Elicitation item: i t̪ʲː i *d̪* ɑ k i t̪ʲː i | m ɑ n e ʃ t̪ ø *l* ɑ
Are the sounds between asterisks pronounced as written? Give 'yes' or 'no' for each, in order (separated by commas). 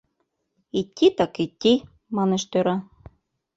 no, no